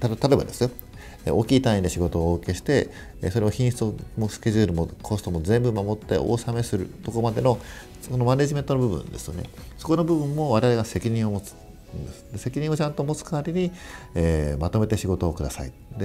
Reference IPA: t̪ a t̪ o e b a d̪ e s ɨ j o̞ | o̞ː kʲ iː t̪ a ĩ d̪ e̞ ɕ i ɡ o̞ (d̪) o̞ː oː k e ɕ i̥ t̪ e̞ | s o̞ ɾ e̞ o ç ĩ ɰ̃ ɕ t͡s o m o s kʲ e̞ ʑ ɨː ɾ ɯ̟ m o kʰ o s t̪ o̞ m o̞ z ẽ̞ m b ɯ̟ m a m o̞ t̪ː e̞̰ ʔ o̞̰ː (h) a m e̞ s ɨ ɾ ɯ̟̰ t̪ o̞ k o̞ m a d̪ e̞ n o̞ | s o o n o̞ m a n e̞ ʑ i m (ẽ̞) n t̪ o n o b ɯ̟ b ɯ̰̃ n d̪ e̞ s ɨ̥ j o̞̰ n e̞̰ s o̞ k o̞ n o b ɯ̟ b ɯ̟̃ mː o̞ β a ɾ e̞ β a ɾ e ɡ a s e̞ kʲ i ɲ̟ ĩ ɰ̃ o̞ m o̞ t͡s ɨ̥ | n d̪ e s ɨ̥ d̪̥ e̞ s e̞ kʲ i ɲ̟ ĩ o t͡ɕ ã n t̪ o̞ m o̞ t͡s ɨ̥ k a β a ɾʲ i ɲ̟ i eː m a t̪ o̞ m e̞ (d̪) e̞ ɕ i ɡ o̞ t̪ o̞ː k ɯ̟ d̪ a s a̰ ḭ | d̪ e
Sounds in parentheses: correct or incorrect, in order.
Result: incorrect: t̪, incorrect: s, incorrect: e̞, incorrect: t̪

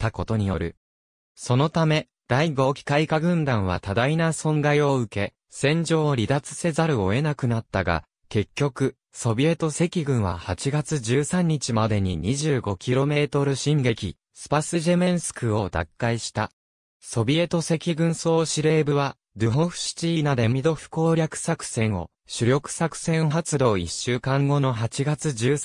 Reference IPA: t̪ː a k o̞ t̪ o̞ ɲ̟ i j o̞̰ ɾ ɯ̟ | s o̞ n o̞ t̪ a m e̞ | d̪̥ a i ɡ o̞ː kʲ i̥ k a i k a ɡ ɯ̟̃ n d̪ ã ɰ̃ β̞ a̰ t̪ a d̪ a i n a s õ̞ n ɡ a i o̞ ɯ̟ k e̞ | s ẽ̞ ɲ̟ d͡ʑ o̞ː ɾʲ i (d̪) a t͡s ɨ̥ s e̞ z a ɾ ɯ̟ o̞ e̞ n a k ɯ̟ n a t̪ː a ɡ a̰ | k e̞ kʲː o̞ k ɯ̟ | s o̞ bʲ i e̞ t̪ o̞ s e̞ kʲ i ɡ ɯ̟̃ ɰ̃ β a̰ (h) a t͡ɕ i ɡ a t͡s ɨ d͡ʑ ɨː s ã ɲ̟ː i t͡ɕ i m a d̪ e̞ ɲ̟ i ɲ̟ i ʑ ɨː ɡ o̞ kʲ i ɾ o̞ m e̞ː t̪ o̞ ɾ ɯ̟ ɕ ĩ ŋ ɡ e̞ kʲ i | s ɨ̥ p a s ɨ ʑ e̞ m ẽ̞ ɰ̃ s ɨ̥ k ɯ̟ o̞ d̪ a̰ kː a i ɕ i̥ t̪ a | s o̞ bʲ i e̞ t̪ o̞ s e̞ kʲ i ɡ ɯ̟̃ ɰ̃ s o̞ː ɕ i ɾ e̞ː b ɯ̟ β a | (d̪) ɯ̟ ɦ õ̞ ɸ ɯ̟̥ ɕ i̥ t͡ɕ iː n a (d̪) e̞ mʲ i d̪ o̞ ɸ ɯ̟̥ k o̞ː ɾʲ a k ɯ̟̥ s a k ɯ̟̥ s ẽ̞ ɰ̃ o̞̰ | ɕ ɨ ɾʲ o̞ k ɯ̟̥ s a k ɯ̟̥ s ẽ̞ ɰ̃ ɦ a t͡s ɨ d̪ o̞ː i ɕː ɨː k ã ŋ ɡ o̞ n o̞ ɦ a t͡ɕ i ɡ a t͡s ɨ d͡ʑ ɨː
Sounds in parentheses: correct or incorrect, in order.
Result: correct, correct, correct, correct

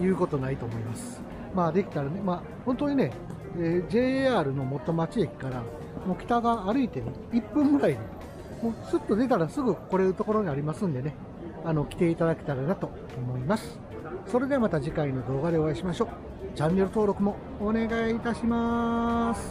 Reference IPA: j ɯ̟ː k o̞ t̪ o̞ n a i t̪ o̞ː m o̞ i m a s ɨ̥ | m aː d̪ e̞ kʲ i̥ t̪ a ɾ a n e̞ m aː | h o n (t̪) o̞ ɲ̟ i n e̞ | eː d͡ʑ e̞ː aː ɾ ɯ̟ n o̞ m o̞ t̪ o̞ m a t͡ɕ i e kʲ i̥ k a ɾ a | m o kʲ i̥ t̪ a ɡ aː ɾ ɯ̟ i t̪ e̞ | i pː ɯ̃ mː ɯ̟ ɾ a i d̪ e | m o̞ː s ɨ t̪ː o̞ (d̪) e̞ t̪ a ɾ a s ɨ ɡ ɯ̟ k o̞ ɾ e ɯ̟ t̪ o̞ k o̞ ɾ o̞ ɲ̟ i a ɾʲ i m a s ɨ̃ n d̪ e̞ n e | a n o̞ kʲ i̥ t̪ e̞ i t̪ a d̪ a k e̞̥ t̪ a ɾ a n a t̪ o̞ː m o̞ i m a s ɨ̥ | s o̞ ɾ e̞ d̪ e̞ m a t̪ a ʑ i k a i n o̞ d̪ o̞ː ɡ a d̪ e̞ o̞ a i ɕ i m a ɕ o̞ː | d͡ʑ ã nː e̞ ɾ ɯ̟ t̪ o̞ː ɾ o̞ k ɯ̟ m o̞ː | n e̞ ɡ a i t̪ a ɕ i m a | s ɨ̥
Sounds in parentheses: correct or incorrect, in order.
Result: correct, correct

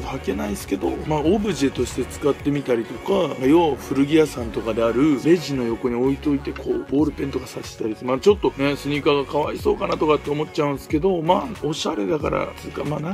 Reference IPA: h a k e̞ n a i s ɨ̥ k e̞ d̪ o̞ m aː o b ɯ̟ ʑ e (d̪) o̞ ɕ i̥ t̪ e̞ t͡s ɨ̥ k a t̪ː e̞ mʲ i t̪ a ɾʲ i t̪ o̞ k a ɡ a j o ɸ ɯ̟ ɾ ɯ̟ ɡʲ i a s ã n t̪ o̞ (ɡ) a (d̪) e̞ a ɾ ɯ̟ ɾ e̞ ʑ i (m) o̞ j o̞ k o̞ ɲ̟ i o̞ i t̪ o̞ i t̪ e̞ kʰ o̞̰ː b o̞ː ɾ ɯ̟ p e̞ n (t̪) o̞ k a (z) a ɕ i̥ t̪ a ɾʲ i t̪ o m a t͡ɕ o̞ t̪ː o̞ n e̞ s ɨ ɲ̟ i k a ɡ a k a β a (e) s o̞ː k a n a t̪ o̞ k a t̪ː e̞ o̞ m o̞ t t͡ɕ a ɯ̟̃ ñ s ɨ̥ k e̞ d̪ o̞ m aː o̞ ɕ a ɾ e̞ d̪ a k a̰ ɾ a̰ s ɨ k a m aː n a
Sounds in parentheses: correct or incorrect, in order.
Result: incorrect: t̪, incorrect: k, correct, incorrect: n, correct, incorrect: s, incorrect: i

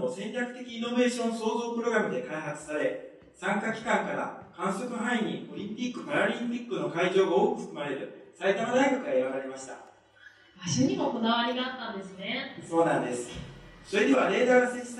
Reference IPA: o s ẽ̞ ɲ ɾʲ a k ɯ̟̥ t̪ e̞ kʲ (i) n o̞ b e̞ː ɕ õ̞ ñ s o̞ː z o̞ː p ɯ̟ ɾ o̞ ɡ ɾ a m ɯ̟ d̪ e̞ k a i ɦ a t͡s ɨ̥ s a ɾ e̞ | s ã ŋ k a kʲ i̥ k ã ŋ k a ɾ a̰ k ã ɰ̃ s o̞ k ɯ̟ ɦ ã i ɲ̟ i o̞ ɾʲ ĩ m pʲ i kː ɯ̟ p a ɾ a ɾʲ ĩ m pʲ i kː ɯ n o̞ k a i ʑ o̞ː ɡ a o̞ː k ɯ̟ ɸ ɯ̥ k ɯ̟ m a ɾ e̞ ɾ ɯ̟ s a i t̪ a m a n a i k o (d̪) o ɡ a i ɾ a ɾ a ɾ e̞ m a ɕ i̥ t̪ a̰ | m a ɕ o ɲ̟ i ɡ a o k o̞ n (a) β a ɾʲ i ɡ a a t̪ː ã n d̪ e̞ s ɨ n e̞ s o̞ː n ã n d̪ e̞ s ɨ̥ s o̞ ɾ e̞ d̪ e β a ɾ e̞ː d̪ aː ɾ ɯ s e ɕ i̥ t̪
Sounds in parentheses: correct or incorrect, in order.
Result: incorrect: iː, incorrect: t̪, correct

